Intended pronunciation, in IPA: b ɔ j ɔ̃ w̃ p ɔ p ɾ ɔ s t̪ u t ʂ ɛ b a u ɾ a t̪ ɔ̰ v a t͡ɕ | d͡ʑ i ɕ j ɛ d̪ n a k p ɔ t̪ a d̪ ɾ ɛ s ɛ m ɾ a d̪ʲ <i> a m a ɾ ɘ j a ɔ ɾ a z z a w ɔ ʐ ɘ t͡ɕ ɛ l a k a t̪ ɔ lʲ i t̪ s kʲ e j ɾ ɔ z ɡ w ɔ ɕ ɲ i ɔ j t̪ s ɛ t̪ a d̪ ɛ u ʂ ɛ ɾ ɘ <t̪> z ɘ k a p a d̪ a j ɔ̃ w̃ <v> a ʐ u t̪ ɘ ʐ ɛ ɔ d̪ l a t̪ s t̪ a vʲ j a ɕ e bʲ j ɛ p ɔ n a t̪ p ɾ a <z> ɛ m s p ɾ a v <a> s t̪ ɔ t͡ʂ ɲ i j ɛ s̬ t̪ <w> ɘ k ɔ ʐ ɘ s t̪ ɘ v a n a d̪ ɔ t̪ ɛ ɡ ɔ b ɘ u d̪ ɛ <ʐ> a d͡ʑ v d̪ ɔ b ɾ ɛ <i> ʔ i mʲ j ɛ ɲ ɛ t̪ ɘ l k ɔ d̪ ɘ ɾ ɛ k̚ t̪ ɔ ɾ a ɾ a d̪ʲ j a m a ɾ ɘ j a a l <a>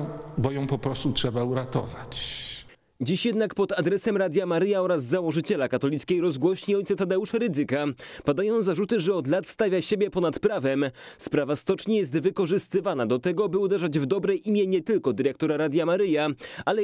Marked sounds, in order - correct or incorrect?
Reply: incorrect: j, incorrect: d̪, incorrect: z, incorrect: v, correct, incorrect: v, correct, incorrect: j, incorrect: ɛ

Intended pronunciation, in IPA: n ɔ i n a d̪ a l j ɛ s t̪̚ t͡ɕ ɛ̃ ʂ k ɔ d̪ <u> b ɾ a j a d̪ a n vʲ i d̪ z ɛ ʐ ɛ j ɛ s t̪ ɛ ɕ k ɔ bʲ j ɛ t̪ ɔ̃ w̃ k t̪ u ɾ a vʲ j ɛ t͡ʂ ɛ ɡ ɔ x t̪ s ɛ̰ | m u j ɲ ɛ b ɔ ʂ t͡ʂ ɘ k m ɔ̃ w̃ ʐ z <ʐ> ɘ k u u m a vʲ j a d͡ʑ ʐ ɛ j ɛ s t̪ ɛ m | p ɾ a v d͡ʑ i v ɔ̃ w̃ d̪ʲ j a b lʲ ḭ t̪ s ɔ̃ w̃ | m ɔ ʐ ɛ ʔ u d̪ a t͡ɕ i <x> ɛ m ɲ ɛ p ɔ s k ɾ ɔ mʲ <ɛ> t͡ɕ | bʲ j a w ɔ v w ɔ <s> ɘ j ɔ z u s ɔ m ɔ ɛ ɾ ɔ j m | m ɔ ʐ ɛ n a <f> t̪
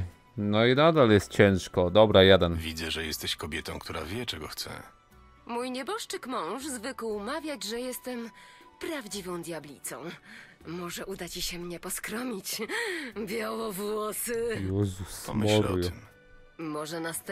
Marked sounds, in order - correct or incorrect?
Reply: incorrect: ɔ, incorrect: v, incorrect: ɕ, incorrect: i, correct, incorrect: s

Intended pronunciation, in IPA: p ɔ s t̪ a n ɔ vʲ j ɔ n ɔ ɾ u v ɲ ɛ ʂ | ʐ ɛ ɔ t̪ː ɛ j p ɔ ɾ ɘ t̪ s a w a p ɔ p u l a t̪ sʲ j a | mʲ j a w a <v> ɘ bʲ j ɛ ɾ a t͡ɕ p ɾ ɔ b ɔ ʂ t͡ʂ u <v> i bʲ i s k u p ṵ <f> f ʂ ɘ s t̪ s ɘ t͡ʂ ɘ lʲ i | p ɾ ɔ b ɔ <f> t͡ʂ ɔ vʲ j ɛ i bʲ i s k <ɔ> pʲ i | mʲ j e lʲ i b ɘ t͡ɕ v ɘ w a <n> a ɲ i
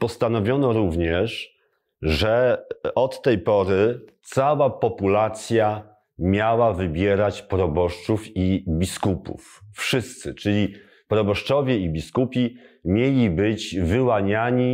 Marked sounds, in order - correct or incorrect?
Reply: correct, incorrect: f, correct, incorrect: ʂ, incorrect: u, incorrect: ɲ

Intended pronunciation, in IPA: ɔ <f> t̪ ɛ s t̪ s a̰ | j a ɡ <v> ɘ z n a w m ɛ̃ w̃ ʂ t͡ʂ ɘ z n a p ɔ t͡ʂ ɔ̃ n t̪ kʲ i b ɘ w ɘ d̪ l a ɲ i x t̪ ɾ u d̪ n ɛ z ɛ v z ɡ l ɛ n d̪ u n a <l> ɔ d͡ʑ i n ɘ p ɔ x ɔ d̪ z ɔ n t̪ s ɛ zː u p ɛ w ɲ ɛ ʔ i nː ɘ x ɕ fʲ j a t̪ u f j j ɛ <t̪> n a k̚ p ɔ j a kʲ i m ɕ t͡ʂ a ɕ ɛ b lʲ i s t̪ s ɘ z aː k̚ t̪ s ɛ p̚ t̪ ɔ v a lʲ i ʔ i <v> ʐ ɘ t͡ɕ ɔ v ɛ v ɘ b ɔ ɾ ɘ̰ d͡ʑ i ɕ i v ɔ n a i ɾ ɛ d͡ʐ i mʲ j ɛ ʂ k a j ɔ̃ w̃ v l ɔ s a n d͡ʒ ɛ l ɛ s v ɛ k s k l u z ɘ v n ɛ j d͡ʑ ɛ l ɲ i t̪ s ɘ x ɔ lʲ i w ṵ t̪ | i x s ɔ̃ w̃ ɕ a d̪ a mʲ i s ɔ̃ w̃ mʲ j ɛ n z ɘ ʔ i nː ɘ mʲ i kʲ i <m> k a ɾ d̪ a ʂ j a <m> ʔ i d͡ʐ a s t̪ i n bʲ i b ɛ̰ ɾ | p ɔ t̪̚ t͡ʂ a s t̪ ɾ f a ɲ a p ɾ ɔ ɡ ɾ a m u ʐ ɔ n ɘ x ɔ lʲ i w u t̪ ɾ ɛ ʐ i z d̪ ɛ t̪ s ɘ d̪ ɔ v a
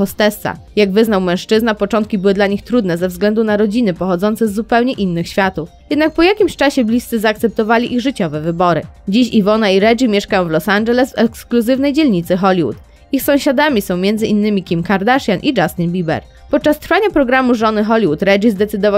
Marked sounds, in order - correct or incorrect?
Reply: incorrect: s, correct, incorrect: ɾ, incorrect: d̪, incorrect: ɣ, correct, incorrect: n

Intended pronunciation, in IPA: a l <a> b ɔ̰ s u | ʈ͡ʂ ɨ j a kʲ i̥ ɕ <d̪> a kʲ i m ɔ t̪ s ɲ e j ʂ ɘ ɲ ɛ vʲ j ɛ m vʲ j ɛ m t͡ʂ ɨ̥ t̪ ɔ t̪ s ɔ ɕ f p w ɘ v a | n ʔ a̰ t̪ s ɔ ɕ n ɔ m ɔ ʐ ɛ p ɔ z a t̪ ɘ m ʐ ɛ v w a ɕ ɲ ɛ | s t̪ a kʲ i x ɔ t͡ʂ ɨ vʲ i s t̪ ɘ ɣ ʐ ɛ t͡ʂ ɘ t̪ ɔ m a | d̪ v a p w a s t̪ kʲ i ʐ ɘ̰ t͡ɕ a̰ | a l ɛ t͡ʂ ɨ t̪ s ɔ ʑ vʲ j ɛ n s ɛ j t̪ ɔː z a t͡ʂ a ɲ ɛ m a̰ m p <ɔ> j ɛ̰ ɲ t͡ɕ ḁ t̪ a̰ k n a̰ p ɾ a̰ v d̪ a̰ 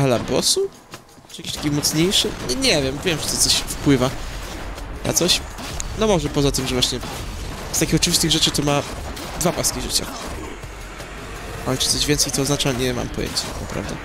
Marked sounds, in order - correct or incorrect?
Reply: correct, incorrect: t̪, correct

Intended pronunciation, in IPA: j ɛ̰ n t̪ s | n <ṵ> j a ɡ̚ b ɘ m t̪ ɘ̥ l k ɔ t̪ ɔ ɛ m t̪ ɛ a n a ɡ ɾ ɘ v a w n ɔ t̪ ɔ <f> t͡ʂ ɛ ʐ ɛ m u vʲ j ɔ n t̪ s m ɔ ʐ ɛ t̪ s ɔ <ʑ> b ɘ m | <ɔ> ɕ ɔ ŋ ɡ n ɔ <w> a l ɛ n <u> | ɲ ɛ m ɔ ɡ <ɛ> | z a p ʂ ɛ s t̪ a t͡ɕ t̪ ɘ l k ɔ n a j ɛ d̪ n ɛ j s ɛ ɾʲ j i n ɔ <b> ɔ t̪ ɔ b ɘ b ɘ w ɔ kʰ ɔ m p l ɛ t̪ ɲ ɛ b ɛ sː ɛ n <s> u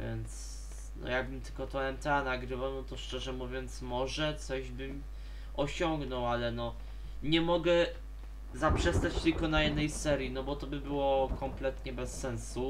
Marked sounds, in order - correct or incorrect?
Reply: incorrect: ɔ̰, incorrect: ʂ, correct, correct, correct, incorrect: ɔ, correct, correct, correct

